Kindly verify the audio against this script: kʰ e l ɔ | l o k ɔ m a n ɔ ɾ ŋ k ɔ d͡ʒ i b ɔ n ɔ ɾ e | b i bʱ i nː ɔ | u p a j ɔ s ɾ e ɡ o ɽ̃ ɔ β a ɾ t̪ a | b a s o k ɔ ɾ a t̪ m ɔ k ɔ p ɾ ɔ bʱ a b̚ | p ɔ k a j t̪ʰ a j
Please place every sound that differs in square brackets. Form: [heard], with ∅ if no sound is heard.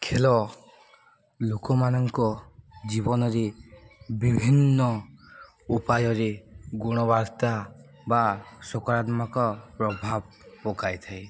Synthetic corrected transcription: kʰ e l ɔ | l o k ɔ m a n ɔ [∅] ŋ k ɔ d͡ʒ i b ɔ n ɔ ɾ e | b i bʱ i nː ɔ | u p a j ɔ [∅] ɾ e ɡ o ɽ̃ ɔ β a ɾ t̪ a | b a s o k ɔ ɾ a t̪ m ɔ k ɔ p ɾ ɔ bʱ a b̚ | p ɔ k a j t̪ʰ a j